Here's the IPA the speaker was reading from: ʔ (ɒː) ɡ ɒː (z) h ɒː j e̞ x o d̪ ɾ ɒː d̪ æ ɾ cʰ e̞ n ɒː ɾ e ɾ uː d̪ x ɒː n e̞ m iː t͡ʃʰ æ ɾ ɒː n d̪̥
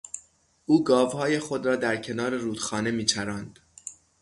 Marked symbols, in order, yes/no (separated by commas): no, no